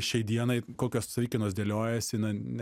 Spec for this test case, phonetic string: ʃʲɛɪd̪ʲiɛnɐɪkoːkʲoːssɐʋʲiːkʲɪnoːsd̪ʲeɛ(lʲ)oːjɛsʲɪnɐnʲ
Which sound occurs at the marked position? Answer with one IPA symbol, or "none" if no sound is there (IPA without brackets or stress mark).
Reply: lʲ